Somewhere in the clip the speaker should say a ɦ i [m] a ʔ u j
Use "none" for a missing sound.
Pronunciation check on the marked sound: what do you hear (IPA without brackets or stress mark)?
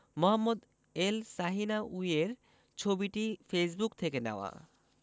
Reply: n